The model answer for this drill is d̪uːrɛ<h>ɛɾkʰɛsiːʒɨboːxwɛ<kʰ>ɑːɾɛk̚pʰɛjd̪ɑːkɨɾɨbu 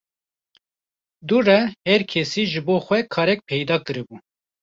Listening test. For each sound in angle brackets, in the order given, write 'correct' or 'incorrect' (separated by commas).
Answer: correct, correct